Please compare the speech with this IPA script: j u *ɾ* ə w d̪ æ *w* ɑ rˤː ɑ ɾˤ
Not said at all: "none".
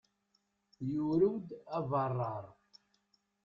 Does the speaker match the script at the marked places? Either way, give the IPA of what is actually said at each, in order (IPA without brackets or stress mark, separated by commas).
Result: ɾ, v